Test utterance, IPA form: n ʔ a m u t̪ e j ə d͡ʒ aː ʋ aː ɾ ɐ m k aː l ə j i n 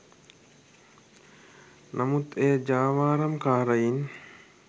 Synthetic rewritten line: n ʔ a m u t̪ e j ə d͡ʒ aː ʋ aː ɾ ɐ m k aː ɾ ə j i n